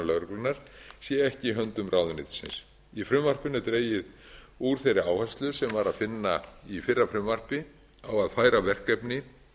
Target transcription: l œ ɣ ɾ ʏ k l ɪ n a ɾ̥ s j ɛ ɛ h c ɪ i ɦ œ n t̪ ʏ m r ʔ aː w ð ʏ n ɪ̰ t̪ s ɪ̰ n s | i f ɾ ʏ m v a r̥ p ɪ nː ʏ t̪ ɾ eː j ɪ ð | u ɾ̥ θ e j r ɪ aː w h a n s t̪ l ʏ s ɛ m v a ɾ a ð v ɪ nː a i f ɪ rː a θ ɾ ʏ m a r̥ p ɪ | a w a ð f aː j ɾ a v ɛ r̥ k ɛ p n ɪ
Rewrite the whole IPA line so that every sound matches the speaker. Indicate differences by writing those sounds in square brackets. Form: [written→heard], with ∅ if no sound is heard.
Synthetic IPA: l œ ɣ ɾ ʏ k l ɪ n a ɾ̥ s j ɛ ɛ h c ɪ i ɦ œ n t̪ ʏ m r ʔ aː w ð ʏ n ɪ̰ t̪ s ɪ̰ n s | i f ɾ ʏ m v a r̥ p ɪ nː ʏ t̪ ɾ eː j ɪ ð | u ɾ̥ θ e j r ɪ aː w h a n s t̪ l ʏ s ɛ m v a ɾ a ð [v→f] ɪ nː a i f ɪ rː a [θ→f] ɾ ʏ m a r̥ p ɪ | a w a ð f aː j ɾ a v ɛ r̥ k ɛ p n ɪ